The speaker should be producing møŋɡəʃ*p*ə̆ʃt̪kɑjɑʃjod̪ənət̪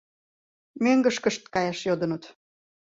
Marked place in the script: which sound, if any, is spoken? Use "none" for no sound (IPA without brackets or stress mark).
k